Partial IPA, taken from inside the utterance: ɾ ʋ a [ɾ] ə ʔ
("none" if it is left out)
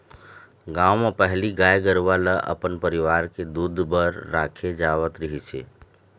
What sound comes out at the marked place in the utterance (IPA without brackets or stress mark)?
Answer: l